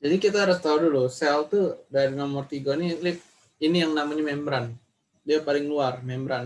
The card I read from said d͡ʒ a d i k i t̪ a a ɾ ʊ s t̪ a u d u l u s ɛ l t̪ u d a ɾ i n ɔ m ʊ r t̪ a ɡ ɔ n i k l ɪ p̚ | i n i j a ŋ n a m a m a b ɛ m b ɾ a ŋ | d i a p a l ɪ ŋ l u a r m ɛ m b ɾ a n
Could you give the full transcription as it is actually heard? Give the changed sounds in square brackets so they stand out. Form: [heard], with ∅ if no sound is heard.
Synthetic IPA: d͡ʒ a d i k i t̪ a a ɾ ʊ s t̪ a u d u l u s ɛ l t̪ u d a ɾ i n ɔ m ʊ r t̪ [i] ɡ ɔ n i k l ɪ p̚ | i n i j a ŋ n a m a [ɲ] a [m] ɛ m b ɾ a [n] | d i a p a l ɪ ŋ l u a r m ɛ m b ɾ a n